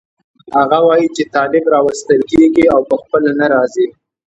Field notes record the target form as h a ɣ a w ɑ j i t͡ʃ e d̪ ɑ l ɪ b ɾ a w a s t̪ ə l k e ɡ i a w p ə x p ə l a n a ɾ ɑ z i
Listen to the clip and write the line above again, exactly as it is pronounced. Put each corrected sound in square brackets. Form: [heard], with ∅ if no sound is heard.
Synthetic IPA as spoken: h a ɣ a w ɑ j i t͡ʃ e [t̪] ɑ l ɪ b ɾ [ɑ] w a s t̪ ə l k e ɡ i a w p ə x p ə l a n a ɾ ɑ z i